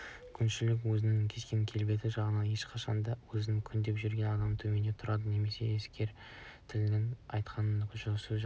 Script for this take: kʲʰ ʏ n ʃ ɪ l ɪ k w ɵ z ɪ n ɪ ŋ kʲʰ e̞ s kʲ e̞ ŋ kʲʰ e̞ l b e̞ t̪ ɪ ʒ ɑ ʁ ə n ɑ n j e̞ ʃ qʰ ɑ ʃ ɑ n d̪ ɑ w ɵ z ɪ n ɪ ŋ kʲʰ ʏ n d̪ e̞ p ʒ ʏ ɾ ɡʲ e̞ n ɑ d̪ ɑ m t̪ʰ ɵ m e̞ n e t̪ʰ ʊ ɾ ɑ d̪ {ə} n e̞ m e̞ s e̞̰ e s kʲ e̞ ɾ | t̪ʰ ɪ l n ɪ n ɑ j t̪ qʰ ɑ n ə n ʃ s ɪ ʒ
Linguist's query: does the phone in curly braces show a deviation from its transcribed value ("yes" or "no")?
no